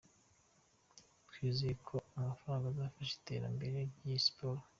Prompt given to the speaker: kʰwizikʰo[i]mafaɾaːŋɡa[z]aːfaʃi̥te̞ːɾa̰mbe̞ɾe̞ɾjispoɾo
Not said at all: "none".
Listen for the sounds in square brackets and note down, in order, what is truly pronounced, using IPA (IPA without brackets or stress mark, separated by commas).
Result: a, z